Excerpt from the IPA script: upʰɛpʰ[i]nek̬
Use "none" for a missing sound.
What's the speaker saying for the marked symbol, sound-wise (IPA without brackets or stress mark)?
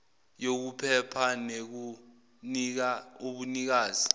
a